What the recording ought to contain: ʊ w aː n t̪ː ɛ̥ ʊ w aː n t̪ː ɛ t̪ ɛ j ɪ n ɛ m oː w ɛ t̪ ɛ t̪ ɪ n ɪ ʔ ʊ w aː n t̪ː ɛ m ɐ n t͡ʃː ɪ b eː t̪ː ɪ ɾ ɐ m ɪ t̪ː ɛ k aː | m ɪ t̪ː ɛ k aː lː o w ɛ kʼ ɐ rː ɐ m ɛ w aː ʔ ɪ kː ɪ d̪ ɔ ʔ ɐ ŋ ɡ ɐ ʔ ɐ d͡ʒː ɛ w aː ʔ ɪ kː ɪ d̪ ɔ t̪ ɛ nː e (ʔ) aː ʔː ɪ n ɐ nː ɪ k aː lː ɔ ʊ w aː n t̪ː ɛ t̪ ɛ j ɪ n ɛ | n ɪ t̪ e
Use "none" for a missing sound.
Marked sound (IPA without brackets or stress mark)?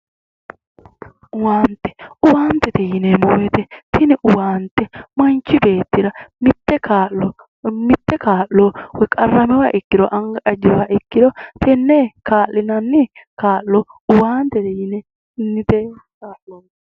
k